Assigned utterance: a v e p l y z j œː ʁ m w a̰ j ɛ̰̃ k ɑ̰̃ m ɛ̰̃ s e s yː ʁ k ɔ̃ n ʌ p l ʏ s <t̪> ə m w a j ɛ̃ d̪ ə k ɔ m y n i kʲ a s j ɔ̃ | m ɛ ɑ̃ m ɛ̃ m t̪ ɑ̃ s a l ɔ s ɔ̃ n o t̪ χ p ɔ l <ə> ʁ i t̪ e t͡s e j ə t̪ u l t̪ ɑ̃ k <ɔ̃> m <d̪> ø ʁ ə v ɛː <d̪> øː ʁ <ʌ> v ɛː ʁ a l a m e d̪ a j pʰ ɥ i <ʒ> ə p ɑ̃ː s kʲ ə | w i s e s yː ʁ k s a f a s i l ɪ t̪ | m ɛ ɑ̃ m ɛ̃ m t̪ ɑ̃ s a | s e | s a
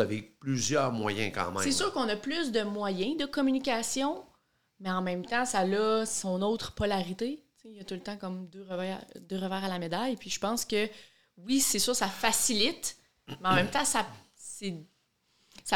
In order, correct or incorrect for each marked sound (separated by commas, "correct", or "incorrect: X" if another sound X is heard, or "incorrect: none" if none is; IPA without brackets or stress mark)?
incorrect: d̪, incorrect: a, incorrect: ɔ, correct, correct, incorrect: ə, correct